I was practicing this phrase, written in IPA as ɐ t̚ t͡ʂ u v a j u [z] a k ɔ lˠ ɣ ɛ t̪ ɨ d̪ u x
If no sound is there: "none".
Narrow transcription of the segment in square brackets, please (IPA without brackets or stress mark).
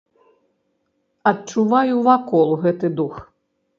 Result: v